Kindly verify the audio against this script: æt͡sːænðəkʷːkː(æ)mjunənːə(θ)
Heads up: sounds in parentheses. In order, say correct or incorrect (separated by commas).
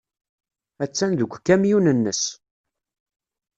correct, incorrect